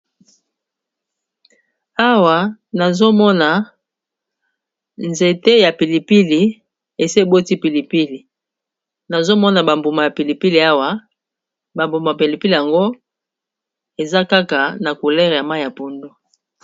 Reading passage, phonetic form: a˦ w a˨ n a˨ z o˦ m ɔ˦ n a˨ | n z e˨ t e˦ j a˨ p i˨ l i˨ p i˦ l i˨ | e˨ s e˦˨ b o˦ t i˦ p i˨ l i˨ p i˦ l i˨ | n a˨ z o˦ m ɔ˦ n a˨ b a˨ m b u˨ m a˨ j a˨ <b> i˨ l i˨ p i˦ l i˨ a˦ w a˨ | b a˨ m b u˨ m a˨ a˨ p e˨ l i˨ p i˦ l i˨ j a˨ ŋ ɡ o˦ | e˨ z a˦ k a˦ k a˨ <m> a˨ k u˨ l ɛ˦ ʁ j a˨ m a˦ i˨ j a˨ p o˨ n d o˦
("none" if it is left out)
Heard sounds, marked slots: p, n

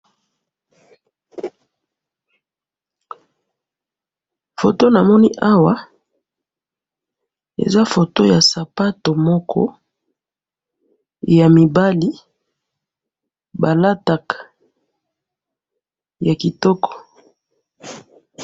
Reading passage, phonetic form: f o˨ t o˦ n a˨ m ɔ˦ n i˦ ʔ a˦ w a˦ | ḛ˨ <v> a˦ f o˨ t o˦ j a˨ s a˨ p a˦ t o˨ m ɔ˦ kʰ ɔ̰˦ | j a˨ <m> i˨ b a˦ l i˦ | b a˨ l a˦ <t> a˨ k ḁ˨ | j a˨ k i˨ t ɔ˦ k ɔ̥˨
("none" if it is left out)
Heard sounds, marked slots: z, m, t

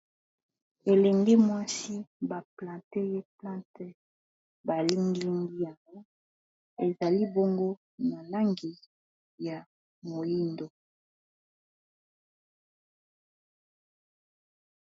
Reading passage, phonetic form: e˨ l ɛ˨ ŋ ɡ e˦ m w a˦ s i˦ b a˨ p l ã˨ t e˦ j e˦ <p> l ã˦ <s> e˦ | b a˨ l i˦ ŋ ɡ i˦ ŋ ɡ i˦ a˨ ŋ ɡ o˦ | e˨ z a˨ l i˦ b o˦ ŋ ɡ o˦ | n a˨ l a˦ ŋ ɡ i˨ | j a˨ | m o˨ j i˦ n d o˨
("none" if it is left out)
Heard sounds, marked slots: p, t

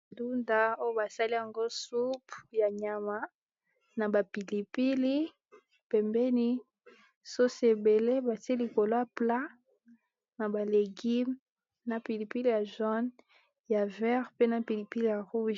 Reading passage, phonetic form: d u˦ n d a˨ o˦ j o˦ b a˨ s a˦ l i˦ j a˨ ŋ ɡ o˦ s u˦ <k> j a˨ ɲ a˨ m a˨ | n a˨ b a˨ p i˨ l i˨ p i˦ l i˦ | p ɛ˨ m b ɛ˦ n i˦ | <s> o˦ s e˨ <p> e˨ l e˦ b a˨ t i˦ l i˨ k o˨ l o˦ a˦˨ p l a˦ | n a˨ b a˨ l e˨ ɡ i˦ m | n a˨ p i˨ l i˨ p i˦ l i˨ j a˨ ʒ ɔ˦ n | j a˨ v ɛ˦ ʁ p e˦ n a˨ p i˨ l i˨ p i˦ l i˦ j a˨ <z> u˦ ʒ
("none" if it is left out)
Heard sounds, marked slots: p, s, b, ʁ

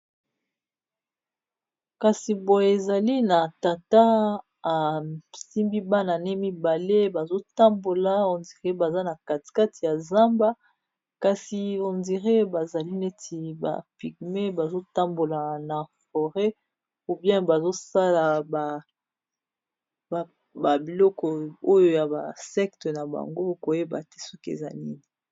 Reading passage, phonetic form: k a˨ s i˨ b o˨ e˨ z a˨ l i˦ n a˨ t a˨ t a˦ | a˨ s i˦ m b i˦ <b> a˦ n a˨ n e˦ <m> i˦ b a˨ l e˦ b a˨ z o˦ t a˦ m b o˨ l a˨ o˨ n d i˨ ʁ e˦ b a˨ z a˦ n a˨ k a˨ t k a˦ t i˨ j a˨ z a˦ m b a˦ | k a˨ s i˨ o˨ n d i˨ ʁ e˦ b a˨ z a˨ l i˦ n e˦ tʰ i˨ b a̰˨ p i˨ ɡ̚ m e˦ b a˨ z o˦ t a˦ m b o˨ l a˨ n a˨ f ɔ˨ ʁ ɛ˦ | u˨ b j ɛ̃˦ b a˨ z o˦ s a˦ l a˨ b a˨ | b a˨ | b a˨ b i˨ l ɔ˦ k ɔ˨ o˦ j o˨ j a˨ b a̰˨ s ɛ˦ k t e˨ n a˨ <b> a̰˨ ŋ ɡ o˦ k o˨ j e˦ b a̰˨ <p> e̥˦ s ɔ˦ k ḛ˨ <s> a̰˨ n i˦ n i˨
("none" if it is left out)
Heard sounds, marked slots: b, m, b, t, z

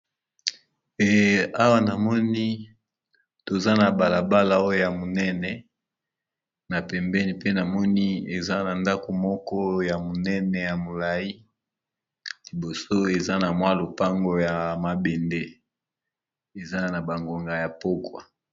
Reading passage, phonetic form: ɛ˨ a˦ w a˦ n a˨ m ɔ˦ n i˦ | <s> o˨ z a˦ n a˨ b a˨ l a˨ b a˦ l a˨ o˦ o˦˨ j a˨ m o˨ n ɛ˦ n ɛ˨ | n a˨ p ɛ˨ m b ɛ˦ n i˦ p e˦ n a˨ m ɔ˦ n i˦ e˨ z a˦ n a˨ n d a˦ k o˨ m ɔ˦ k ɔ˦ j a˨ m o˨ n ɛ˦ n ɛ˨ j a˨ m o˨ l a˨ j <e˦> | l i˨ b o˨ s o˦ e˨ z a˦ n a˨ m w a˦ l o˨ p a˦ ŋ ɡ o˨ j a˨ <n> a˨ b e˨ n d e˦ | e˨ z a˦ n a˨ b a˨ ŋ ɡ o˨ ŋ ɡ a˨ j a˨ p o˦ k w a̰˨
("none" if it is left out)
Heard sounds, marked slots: t, i˦, m

